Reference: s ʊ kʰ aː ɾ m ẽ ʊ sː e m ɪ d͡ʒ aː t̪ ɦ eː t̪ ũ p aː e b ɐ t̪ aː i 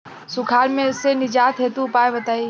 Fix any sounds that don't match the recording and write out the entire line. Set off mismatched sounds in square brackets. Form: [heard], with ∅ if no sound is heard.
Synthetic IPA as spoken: s ʊ kʰ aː ɾ m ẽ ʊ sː e [n] ɪ d͡ʒ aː t̪ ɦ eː t̪ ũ p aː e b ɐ t̪ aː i